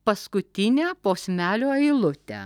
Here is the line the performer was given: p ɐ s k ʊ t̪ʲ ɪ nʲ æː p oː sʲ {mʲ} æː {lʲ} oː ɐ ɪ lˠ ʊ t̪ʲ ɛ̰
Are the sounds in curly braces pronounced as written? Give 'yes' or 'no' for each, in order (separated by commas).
yes, yes